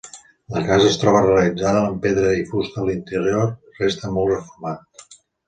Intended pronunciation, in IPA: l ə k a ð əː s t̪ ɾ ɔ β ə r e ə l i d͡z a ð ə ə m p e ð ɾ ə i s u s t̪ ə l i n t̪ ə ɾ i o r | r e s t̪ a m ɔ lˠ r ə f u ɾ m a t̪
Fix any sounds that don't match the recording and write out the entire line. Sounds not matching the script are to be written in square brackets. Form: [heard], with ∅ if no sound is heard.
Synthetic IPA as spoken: l ə k a [z] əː s t̪ ɾ ɔ β ə r e ə l i d͡z a ð ə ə m p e ð ɾ ə i [f] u s t̪ ə l i n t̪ ə ɾ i o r | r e s t̪ [ə] m ɔ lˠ r ə f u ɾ m a t̪